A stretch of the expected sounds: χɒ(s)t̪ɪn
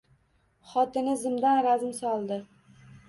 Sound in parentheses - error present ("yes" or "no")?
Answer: yes